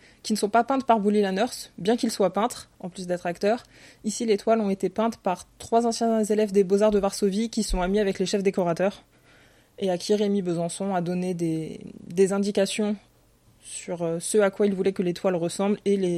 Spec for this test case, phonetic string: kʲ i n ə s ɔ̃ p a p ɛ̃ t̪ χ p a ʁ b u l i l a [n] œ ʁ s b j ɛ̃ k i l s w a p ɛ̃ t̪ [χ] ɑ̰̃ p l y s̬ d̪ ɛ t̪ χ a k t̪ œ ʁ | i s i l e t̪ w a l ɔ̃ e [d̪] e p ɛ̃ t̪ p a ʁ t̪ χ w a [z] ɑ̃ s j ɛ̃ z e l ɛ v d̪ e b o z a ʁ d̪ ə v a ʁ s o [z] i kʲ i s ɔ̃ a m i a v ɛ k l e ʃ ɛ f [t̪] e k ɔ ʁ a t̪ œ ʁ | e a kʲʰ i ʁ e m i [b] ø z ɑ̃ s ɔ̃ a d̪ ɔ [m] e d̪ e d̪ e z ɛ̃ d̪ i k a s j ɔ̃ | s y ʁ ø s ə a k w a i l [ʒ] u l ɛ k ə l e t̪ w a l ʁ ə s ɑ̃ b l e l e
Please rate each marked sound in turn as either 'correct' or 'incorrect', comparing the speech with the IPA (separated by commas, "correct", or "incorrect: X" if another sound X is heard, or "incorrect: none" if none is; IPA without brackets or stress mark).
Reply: correct, correct, incorrect: t̪, correct, incorrect: v, incorrect: d̪, correct, incorrect: n, incorrect: v